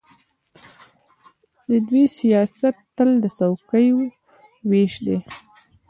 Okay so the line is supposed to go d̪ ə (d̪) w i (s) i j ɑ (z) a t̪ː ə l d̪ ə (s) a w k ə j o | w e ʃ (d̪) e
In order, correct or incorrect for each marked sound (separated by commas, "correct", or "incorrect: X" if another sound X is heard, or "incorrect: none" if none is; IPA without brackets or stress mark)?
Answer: correct, correct, incorrect: s, correct, correct